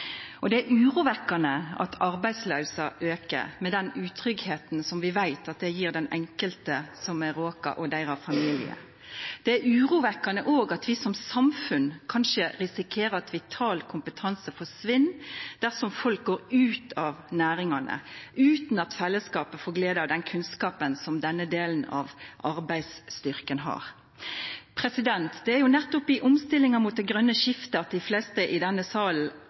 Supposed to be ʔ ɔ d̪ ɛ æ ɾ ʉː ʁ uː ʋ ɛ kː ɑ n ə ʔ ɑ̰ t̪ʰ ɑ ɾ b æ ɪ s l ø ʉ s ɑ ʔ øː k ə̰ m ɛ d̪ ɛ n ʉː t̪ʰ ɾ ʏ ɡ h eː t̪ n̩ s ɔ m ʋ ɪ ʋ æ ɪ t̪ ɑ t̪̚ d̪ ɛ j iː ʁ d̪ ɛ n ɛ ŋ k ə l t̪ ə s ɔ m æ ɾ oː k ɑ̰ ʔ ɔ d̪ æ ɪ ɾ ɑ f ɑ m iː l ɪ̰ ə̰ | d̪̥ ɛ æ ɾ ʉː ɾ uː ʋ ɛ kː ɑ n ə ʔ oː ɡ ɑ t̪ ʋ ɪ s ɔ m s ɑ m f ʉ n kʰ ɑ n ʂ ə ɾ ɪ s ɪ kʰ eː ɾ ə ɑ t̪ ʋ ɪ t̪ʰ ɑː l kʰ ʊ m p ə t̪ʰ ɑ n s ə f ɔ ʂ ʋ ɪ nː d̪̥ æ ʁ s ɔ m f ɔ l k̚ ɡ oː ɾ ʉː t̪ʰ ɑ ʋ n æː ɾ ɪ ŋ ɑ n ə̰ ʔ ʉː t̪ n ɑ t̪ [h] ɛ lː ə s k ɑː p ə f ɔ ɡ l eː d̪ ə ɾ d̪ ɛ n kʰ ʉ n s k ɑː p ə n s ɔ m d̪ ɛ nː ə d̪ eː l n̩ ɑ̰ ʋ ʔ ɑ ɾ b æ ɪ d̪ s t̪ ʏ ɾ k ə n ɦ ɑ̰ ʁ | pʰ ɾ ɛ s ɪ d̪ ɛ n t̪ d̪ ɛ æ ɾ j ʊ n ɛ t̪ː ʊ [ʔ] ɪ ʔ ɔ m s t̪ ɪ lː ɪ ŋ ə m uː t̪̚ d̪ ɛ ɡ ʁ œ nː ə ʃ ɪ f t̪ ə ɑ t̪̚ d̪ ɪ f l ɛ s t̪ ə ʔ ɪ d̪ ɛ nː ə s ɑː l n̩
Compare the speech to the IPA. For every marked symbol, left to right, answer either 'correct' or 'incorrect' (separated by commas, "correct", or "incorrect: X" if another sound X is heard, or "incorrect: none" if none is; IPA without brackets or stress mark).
incorrect: f, incorrect: p